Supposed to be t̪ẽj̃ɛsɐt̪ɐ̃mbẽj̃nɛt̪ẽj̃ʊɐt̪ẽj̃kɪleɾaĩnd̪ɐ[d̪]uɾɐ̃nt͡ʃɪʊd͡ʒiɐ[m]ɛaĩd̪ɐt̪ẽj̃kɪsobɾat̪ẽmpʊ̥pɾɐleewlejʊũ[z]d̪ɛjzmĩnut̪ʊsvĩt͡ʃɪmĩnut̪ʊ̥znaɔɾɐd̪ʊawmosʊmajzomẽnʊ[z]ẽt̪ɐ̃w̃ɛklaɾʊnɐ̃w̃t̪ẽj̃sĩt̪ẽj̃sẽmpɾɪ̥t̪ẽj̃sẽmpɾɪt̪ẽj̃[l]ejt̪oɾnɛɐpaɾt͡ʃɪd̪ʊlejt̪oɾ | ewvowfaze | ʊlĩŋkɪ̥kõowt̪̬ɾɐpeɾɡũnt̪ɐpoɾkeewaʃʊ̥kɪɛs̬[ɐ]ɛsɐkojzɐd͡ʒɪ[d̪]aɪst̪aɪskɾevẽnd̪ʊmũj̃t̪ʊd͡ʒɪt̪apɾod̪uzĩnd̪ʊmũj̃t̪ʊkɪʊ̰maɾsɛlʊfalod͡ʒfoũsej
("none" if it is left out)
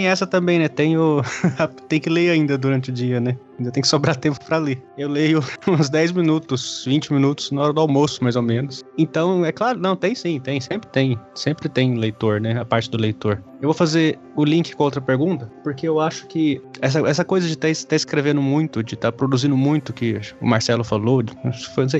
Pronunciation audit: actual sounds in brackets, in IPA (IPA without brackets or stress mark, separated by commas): d̪, n, z, s, l, ɐ, t̪